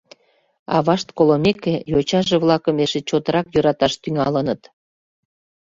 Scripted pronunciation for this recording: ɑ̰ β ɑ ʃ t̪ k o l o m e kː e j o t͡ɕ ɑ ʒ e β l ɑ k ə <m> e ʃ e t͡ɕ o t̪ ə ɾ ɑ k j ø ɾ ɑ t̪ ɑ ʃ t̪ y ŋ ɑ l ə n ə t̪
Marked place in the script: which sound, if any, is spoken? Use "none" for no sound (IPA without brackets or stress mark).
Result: m